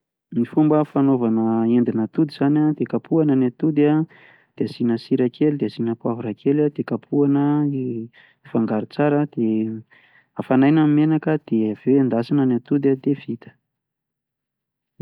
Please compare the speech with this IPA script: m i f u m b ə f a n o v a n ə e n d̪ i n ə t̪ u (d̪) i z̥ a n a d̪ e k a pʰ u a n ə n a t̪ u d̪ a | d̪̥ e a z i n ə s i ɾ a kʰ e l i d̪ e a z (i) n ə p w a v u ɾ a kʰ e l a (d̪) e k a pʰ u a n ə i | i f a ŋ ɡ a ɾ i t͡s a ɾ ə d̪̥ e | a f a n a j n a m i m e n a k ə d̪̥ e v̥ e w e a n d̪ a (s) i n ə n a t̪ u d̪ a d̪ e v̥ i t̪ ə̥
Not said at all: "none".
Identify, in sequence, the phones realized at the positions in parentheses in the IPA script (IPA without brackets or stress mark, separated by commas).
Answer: d̪, i, d̪, s